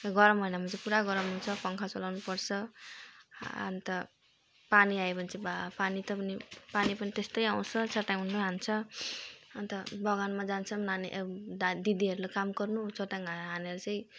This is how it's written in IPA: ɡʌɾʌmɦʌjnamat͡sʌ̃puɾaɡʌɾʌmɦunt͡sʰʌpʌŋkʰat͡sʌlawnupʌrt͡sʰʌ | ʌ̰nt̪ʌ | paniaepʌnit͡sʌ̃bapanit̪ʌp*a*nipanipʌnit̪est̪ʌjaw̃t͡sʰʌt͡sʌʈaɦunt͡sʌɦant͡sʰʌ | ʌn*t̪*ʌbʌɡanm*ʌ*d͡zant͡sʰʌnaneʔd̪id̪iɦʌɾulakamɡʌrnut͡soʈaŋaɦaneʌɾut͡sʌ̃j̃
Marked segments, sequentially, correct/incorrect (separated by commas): incorrect, correct, incorrect